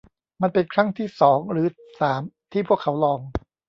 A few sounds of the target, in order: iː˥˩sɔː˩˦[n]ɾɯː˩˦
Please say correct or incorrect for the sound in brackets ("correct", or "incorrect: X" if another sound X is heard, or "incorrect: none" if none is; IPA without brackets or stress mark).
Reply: incorrect: ŋ